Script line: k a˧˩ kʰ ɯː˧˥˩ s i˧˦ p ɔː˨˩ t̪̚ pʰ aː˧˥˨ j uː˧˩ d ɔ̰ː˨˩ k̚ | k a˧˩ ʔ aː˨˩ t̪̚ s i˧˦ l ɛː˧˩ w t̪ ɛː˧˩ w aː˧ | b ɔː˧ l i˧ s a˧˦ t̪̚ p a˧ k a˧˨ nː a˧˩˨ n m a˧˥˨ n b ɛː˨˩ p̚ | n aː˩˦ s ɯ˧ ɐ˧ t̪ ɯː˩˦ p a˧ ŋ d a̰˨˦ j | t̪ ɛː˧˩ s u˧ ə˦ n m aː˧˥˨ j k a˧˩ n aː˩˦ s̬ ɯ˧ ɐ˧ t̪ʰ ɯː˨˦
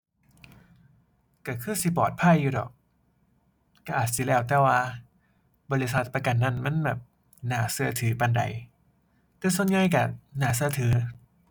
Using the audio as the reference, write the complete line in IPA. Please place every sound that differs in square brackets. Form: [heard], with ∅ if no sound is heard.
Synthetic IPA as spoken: k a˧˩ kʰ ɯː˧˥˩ s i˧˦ p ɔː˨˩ t̪̚ pʰ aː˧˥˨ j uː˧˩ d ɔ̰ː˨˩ k̚ | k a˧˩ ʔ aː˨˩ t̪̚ s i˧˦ l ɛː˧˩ w t̪ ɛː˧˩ w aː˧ | b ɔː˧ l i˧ s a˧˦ t̪̚ p a˧ k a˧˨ nː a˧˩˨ n m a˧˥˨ n b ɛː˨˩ p̚ | n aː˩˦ s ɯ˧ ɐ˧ [t̪ʰ] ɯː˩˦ p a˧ [n] d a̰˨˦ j | t̪ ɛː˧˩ s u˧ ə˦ n [ŋ] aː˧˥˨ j k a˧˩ n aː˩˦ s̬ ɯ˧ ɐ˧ t̪ʰ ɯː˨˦

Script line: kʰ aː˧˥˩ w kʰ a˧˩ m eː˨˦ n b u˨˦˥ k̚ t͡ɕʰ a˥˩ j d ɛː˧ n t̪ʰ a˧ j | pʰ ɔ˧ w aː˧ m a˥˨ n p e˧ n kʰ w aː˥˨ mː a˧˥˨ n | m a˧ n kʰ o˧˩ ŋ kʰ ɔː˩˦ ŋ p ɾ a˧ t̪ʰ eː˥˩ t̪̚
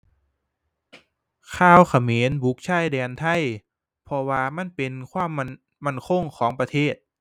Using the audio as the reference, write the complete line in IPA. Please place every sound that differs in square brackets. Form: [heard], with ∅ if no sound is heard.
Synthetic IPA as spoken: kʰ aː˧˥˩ w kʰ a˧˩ m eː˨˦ n b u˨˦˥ k̚ t͡ɕʰ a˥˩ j d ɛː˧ n t̪ʰ [a˥˩˨] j | pʰ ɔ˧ w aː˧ m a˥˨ n p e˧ n kʰ w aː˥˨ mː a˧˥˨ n | m [a˥˩] n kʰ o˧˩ ŋ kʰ ɔː˩˦ ŋ p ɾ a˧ t̪ʰ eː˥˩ t̪̚

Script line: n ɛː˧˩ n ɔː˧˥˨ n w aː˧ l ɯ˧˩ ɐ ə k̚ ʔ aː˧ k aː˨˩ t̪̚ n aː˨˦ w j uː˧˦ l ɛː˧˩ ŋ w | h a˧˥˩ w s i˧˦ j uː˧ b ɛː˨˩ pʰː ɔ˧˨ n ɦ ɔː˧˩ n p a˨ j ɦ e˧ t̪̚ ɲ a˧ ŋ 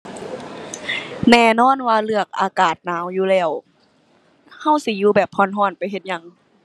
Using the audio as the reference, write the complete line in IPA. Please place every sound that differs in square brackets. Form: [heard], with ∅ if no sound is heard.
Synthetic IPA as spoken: n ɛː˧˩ n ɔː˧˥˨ n w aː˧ l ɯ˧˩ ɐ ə k̚ ʔ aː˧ k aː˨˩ t̪̚ n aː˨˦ w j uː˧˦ l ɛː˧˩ [∅] w | h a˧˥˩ w s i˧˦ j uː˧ b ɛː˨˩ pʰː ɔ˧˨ n ɦ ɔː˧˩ n p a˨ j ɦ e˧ t̪̚ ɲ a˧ ŋ

